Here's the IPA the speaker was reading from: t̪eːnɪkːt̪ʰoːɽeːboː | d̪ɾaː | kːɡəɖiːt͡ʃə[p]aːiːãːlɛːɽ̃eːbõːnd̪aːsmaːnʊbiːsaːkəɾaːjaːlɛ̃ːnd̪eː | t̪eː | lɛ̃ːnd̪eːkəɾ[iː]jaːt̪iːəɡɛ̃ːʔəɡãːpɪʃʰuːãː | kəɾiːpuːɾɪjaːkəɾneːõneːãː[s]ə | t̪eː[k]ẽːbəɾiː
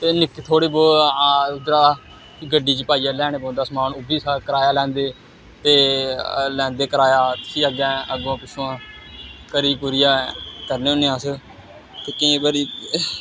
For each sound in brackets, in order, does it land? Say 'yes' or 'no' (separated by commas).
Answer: yes, no, yes, yes